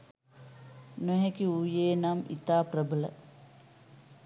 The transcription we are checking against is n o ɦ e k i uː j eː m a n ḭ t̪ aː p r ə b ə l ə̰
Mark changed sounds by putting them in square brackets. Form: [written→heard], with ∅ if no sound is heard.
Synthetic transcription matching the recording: n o ɦ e k i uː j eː [m→n] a [n→m] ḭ t̪ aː p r ə b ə l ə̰